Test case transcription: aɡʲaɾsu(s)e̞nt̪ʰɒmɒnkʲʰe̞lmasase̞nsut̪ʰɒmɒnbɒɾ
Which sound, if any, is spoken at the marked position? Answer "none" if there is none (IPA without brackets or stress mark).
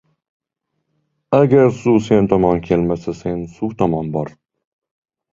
s